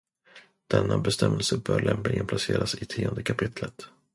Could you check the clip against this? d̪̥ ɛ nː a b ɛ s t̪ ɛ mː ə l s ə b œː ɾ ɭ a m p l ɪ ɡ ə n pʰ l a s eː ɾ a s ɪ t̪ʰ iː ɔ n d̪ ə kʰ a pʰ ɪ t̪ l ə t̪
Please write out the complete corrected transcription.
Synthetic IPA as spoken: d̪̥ ɛ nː a b ɛ s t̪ ɛ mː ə l s ə b œː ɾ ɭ ɛ m p l ɪ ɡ ə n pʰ l a s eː ɾ a s ɪ t̪ʰ iː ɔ n d̪ ə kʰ a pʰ ɪ t̪ l ə t̪